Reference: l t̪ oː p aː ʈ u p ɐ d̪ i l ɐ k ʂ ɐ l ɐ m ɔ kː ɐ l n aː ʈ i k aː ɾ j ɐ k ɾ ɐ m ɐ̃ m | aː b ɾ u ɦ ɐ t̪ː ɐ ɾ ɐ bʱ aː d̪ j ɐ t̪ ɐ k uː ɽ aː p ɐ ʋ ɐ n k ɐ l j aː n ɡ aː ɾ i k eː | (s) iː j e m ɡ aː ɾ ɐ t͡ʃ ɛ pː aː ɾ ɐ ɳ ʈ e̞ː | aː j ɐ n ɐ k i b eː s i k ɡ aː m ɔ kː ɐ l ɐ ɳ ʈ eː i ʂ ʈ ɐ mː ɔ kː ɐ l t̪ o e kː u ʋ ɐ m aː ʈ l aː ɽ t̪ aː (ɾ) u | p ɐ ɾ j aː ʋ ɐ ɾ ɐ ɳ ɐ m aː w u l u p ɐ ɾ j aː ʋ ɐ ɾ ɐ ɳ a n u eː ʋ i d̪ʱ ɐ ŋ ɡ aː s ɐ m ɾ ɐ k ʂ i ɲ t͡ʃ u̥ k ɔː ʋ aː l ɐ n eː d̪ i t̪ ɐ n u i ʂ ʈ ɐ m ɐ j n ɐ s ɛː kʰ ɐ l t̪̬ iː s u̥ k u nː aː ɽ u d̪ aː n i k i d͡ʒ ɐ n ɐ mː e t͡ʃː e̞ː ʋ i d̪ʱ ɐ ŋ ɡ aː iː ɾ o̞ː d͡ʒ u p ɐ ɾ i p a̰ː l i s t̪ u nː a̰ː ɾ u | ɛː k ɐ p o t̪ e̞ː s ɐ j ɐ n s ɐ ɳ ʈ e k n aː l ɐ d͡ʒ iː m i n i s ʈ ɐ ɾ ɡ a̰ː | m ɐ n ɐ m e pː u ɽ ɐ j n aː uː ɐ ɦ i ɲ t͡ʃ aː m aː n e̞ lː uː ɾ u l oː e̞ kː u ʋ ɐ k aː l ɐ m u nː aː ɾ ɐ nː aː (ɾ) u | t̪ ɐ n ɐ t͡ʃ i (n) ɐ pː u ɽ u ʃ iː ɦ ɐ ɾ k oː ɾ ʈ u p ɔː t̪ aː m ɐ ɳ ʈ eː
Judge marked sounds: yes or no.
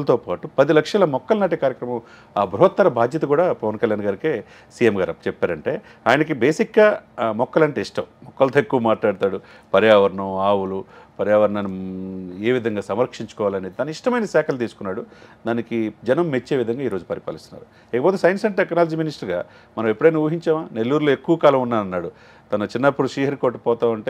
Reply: yes, no, no, no

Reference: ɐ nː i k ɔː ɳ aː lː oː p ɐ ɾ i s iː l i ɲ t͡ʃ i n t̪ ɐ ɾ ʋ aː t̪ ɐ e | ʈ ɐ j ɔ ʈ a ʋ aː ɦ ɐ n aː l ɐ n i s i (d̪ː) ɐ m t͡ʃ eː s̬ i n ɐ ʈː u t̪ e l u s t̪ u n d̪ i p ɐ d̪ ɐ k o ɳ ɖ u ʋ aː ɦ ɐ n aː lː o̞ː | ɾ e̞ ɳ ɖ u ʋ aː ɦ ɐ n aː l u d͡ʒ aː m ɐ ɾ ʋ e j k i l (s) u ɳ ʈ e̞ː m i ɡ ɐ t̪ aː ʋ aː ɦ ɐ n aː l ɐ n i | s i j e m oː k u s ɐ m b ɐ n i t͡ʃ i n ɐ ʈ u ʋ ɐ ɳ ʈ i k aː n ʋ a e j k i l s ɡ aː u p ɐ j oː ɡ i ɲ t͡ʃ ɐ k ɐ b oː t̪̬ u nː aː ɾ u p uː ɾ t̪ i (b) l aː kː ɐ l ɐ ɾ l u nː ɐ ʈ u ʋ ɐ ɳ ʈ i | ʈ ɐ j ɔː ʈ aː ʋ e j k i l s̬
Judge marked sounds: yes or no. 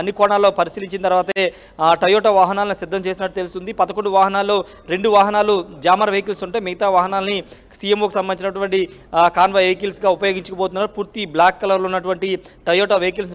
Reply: yes, yes, yes

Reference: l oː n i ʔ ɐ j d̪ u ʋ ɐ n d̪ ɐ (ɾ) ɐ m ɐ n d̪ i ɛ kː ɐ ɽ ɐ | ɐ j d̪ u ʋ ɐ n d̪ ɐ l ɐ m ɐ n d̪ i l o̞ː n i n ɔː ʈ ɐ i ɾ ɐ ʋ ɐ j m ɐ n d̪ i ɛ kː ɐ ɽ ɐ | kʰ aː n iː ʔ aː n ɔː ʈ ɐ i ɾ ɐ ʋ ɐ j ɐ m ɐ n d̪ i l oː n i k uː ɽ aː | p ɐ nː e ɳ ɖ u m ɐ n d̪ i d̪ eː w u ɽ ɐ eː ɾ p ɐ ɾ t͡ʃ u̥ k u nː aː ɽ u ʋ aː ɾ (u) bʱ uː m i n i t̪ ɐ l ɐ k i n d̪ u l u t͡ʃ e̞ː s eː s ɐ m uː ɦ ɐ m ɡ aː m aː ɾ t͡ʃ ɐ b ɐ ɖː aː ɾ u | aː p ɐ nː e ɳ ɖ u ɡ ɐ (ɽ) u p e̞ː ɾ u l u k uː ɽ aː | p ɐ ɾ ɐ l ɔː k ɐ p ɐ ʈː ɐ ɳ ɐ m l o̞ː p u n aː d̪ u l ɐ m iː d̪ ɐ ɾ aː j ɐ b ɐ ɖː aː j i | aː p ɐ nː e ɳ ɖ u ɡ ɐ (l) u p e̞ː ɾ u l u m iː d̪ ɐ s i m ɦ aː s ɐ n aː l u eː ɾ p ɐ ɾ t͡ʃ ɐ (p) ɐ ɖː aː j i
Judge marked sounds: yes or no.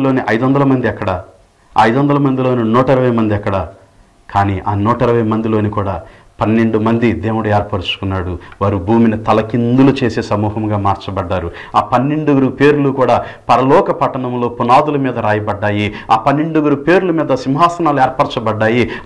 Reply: no, yes, no, no, no

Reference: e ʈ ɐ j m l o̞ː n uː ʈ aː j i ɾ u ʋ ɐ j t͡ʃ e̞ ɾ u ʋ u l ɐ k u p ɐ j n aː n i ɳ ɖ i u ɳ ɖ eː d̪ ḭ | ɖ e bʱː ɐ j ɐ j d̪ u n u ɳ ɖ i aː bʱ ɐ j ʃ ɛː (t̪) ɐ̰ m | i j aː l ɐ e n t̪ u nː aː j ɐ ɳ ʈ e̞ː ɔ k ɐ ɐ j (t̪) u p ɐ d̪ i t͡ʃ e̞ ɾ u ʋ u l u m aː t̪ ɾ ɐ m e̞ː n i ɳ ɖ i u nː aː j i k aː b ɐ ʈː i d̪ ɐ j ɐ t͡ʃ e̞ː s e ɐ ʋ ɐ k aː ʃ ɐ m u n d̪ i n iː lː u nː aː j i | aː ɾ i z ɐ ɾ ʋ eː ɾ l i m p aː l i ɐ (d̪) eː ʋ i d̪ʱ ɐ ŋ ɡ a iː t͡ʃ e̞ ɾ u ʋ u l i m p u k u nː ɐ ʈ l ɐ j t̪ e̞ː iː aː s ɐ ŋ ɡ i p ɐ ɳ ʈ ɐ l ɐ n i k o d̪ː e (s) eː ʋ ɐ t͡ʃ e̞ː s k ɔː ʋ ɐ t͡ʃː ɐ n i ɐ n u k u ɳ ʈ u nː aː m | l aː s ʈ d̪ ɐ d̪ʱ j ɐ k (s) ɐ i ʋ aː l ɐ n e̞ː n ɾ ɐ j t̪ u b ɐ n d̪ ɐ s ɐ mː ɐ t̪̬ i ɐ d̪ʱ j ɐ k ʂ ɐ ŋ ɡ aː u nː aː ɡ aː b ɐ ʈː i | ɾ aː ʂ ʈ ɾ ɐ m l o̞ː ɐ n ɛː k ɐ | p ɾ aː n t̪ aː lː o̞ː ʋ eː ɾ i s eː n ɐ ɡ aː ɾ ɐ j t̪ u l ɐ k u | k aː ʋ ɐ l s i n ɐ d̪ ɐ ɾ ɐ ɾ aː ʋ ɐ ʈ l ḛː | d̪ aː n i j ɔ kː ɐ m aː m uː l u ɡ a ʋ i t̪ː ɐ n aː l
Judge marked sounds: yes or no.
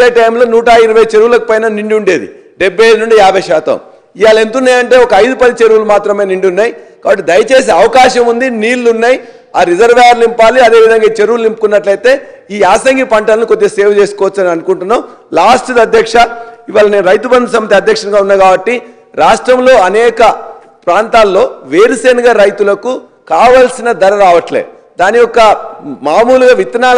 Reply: yes, no, yes, yes, no

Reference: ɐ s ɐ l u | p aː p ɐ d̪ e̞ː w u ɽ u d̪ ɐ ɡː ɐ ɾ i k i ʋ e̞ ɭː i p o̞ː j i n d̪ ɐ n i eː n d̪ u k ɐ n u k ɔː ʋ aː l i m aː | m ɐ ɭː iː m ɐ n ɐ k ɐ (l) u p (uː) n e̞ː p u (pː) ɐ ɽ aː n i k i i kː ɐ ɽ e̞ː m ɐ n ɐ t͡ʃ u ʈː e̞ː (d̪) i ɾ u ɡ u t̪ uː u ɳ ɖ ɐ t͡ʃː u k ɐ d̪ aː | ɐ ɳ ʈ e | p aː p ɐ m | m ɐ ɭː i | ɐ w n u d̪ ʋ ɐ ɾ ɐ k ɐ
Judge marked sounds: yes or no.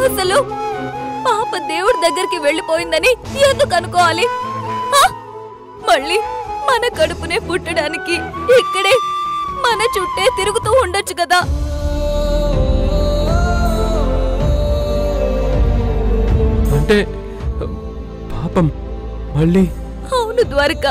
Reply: no, no, no, no

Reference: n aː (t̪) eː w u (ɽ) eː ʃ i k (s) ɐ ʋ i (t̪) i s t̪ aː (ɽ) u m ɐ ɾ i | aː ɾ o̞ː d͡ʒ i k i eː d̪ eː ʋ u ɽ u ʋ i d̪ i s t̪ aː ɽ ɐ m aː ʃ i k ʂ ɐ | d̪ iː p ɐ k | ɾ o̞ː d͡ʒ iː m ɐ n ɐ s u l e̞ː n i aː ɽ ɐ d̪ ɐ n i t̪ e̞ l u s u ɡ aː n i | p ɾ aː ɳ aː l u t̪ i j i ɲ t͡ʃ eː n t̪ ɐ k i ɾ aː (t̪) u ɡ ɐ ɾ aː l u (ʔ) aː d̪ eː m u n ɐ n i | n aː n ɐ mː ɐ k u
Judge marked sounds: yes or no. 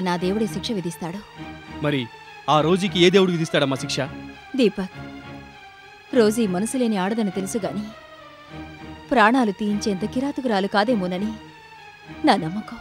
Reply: no, yes, no, no, yes, yes, no

